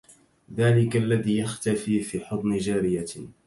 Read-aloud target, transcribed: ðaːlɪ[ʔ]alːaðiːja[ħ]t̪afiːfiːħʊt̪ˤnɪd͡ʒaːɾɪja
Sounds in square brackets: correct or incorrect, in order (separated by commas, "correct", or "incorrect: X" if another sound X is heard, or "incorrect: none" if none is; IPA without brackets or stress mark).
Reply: incorrect: k, incorrect: x